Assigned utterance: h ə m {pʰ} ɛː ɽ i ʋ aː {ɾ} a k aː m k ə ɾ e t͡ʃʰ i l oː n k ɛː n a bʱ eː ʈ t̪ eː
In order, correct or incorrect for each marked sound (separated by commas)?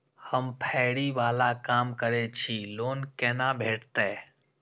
correct, incorrect